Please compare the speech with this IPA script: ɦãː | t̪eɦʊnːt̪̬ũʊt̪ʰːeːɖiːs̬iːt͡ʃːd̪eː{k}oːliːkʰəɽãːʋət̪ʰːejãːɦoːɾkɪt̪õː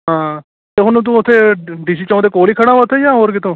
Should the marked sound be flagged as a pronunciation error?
no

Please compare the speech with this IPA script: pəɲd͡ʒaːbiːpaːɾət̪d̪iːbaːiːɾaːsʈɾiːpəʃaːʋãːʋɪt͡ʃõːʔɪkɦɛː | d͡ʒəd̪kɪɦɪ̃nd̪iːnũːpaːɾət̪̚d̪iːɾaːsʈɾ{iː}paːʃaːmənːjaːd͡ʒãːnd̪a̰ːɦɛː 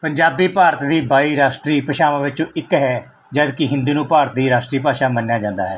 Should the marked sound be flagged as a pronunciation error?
no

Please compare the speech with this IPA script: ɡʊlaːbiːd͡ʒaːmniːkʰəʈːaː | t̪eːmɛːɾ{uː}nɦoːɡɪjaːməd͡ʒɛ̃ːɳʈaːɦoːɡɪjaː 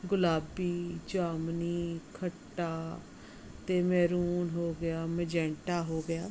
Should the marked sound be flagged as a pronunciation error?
no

